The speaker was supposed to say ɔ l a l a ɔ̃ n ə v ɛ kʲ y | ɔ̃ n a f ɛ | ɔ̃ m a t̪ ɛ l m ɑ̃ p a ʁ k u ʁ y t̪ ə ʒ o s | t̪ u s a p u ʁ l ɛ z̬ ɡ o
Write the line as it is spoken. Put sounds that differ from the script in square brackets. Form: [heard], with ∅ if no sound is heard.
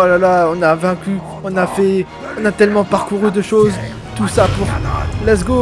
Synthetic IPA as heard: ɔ l a l a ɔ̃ n [a] v [ɛ̃] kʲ y | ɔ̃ n a f ɛ | ɔ̃ [n] a t̪ ɛ l m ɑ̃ p a ʁ k u ʁ y [d̪] ə [ʃ] o [z] | t̪ u s a p u ʁ l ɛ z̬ ɡ o